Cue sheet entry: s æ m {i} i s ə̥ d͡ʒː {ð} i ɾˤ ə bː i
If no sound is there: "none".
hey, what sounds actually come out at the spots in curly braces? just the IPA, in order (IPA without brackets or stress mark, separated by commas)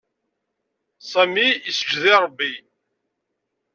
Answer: i, ð